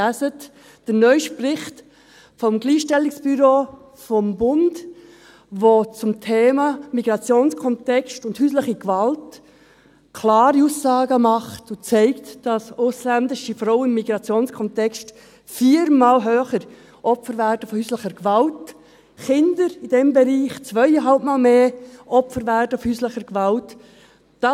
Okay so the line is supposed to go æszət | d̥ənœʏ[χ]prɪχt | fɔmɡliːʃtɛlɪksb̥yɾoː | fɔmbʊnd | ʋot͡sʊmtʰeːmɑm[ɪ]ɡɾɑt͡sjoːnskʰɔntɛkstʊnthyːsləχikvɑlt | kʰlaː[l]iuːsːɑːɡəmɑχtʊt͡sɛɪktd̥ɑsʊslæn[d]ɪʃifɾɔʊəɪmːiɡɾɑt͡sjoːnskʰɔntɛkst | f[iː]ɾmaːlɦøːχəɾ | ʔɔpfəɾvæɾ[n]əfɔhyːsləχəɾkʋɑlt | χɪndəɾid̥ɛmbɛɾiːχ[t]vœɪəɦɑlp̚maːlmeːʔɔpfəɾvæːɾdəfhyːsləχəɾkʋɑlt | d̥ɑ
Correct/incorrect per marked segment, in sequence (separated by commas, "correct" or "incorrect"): incorrect, incorrect, incorrect, correct, correct, incorrect, incorrect